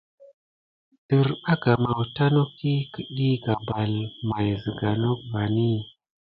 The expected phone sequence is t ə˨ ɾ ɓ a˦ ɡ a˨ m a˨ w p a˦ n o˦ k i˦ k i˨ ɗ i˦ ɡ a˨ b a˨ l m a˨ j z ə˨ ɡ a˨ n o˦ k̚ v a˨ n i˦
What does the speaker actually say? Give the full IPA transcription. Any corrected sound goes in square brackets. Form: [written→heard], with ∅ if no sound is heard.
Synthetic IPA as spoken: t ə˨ ɾ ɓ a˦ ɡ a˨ m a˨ w [p→t] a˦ n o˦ k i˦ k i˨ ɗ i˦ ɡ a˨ b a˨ l m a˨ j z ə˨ ɡ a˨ n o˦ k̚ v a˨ n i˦